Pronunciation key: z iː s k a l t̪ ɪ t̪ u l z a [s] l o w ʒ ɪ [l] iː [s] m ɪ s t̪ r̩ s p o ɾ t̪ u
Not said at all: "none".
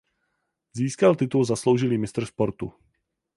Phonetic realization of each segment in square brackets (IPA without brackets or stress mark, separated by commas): s, l, none